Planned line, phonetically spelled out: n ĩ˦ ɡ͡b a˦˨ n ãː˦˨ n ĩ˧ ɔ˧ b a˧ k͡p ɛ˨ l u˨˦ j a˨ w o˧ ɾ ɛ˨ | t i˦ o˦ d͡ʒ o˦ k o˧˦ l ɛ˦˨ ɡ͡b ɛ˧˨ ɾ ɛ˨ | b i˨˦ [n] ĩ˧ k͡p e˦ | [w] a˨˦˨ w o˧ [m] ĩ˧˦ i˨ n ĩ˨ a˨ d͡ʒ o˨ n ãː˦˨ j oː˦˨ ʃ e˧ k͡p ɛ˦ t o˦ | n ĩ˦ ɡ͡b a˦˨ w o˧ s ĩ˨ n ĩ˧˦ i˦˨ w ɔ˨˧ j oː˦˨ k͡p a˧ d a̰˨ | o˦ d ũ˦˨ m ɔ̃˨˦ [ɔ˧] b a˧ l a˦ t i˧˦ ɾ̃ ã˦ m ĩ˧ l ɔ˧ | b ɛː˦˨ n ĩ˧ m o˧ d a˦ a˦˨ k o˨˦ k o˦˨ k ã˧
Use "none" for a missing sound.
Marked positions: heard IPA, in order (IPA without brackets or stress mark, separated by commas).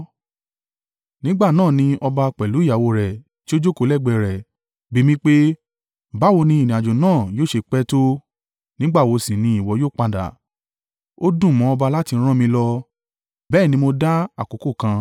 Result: m, b, n, ɔ˧